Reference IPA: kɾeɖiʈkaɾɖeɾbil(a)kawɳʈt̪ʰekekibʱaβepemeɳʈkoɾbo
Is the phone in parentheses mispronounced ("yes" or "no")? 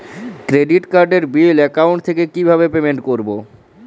yes